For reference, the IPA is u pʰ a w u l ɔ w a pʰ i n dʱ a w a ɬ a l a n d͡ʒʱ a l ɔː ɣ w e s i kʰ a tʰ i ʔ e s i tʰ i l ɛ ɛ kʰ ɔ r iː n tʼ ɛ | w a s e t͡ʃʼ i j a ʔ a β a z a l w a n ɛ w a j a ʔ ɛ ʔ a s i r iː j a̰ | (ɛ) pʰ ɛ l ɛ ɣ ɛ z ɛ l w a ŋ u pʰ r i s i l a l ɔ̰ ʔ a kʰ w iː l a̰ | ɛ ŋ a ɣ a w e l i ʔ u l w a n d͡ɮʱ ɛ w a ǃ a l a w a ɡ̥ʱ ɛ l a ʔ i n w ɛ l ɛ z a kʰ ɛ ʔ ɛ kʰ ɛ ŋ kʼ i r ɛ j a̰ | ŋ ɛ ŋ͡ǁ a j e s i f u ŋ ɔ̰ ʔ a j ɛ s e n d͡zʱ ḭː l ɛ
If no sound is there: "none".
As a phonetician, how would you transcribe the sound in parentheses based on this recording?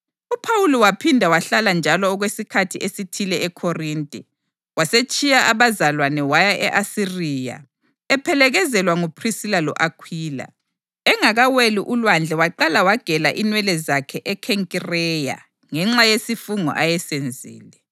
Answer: ɛ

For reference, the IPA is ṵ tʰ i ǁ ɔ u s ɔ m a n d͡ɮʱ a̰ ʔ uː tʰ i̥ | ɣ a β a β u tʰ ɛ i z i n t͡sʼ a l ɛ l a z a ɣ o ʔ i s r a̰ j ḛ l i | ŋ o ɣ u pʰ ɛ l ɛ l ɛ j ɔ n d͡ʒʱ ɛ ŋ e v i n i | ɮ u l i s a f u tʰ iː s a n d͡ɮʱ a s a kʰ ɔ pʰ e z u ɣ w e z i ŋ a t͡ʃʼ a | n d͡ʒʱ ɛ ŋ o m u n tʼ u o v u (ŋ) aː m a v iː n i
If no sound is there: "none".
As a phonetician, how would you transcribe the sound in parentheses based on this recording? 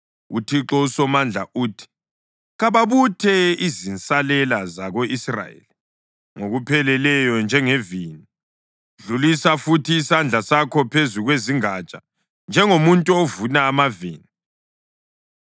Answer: n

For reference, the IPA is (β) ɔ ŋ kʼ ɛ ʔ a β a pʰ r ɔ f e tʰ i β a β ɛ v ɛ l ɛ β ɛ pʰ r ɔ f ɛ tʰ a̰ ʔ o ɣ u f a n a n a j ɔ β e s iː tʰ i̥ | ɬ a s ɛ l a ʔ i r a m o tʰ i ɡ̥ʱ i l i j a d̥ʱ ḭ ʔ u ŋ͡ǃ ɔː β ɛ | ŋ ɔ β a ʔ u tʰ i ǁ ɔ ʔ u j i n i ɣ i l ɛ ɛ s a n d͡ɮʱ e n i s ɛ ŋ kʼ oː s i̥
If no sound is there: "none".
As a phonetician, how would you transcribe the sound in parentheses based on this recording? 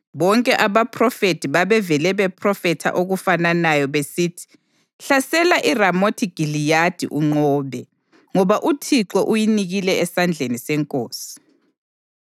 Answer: β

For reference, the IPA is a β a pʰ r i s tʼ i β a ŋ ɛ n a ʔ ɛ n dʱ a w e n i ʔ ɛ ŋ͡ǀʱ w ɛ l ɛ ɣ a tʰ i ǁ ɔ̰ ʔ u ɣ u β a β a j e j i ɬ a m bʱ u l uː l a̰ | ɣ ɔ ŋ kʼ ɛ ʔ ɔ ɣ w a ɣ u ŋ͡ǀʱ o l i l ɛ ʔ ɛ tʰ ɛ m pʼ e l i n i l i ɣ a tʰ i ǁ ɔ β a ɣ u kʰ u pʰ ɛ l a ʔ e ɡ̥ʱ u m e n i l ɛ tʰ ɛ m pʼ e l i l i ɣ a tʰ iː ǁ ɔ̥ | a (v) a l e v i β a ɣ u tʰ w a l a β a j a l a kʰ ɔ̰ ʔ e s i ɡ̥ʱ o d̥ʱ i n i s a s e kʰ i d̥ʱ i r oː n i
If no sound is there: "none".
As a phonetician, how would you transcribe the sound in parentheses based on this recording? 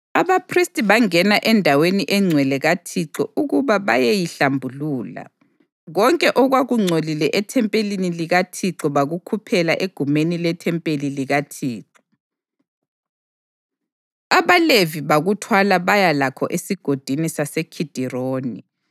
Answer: β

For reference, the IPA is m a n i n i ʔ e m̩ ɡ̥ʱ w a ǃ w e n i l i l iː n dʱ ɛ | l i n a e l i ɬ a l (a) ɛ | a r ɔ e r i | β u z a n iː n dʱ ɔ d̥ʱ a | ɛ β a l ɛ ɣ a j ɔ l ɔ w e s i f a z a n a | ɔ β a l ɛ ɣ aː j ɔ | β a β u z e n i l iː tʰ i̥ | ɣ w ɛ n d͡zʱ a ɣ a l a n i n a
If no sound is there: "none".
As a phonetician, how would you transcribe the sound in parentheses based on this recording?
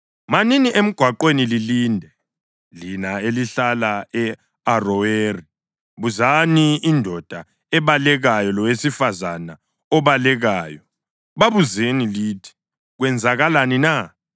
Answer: a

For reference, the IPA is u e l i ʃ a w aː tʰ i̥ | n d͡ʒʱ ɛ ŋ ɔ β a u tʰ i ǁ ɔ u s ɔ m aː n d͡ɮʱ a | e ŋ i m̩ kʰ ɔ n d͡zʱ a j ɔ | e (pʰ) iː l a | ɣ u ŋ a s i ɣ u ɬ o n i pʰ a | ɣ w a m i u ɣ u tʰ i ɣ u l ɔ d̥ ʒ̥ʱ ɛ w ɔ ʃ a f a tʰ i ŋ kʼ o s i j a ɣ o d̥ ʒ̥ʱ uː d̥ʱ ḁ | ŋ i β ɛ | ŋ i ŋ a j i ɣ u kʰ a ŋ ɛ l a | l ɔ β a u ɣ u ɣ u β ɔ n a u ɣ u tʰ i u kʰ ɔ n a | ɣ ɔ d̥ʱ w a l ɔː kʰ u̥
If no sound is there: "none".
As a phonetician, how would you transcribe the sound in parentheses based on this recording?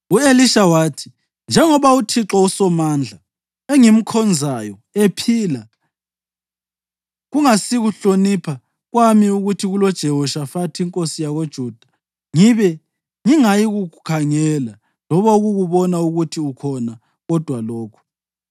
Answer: pʰ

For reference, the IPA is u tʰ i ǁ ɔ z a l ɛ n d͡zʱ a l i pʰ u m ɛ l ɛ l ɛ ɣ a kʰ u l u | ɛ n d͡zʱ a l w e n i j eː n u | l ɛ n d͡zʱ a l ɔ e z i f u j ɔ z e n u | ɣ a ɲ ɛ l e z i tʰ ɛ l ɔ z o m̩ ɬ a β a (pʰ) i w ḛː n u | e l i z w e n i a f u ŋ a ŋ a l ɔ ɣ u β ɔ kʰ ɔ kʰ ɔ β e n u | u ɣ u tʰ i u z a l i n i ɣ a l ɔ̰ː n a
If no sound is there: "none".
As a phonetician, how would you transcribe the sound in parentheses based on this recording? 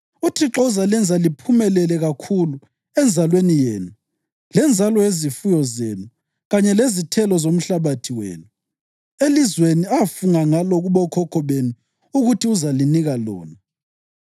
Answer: tʰ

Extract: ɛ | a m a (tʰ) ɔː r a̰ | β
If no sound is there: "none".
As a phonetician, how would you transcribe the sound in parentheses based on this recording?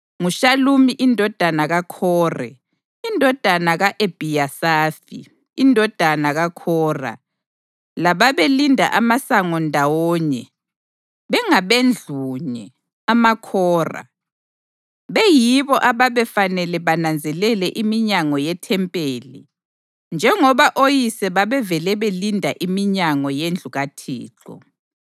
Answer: kʰ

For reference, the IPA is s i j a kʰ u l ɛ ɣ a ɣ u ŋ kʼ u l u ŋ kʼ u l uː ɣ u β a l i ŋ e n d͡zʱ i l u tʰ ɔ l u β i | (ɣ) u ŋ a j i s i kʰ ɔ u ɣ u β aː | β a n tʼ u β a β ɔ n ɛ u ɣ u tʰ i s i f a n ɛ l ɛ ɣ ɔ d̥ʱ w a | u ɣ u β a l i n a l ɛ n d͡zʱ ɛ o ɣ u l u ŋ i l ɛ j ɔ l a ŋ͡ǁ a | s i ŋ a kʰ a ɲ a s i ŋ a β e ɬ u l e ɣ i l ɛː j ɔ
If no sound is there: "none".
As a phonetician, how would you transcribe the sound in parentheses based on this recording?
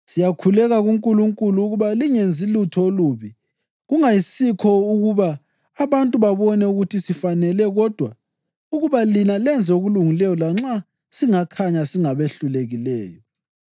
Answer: ɣ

